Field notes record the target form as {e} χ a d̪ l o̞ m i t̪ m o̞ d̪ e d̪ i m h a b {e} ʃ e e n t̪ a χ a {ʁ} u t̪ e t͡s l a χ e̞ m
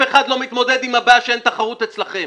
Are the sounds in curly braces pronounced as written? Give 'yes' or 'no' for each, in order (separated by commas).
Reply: yes, no, yes